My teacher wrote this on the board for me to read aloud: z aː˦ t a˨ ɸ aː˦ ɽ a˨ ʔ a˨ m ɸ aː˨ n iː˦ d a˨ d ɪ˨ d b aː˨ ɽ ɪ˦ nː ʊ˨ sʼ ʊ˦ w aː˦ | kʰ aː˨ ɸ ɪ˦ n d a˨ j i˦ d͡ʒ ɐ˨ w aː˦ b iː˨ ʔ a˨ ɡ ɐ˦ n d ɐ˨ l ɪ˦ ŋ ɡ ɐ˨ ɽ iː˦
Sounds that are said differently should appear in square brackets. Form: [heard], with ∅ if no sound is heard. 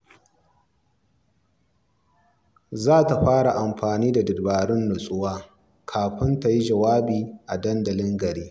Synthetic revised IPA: z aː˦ t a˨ ɸ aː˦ ɽ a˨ ʔ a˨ m ɸ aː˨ n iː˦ d a˨ d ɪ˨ d b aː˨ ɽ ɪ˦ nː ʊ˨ sʼ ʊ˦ w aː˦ | kʰ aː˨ ɸ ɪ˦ n [t] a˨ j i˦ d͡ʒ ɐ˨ w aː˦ b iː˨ ʔ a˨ [d] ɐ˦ n d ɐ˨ l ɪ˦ ŋ ɡ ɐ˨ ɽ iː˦

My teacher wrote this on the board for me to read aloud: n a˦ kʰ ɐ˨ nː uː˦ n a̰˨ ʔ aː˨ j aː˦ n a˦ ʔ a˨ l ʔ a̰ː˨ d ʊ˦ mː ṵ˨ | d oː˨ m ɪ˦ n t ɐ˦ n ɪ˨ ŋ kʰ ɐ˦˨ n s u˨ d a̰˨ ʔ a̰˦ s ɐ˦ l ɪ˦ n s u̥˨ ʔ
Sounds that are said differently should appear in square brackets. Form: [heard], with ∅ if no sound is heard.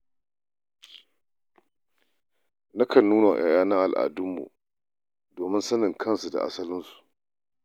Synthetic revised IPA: n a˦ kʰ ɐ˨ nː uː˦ n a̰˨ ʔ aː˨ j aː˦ n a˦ ʔ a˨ l ʔ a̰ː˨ d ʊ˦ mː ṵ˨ | d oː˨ m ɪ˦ n [s] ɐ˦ n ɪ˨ ŋ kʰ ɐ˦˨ n s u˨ d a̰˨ ʔ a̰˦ s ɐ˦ l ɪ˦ n s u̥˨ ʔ

